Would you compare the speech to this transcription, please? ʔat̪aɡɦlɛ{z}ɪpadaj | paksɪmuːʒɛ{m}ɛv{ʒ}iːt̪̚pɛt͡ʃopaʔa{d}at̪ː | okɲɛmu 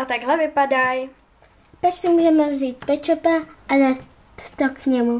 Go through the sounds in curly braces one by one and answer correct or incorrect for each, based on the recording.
incorrect: v, correct, incorrect: z, correct

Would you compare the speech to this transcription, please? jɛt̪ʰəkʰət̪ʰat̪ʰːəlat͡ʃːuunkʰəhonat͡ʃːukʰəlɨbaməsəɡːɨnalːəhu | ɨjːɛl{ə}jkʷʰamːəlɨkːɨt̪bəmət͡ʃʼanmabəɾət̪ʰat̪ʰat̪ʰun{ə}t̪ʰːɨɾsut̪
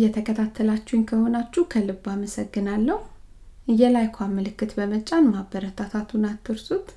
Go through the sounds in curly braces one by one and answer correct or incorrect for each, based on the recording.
incorrect: a, incorrect: a

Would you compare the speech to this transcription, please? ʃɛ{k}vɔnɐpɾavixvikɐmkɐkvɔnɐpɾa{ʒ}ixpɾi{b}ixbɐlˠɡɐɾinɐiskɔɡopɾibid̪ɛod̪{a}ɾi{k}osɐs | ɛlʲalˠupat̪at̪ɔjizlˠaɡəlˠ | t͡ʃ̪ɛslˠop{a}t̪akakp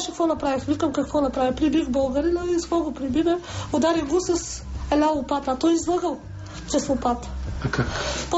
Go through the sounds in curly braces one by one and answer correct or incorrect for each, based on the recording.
correct, incorrect: v, correct, correct, incorrect: ɡ, correct

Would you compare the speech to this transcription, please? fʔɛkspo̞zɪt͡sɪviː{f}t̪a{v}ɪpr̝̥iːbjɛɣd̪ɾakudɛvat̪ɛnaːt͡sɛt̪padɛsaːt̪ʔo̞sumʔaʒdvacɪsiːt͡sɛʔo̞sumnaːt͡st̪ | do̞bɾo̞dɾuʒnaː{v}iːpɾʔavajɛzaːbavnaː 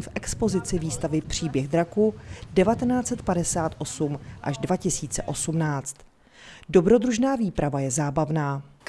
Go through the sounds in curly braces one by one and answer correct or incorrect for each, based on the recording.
incorrect: s, correct, correct

